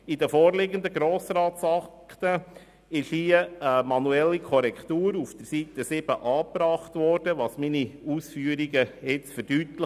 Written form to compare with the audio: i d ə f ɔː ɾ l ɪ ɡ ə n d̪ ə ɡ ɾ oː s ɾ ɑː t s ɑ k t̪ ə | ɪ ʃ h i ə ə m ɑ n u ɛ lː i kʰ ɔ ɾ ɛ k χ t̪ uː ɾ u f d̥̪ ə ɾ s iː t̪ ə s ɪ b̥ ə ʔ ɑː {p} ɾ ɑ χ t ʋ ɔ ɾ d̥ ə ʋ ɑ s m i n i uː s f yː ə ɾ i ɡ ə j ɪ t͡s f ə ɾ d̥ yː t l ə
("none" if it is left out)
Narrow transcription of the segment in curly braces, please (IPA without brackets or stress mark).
p